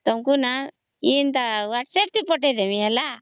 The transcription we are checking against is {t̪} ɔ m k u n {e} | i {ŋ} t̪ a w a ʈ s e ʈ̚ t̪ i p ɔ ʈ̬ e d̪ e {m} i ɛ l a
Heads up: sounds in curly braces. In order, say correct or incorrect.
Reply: correct, incorrect: a, incorrect: n, correct

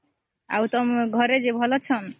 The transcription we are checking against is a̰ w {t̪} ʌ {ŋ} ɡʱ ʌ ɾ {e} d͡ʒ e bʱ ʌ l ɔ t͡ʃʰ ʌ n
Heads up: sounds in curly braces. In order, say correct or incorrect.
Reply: correct, incorrect: m, correct

